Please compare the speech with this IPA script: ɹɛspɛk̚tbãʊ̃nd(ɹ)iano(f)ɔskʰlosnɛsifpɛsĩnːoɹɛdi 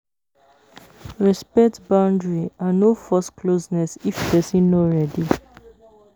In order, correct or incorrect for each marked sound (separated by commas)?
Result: correct, correct